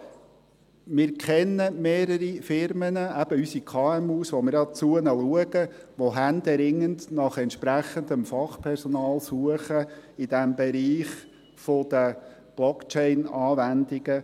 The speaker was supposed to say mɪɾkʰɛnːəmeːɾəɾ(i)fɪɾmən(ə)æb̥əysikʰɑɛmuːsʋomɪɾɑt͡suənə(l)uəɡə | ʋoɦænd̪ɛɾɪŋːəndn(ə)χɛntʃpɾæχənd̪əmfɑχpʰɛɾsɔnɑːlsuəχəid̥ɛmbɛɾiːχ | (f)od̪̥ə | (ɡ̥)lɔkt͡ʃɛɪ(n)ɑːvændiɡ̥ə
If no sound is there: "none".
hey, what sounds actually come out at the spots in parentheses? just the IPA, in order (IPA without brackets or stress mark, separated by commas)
i, ə, l, ɑ, f, b̥, n